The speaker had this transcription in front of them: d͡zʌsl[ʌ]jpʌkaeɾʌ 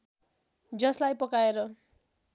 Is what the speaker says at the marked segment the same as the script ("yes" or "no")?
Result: no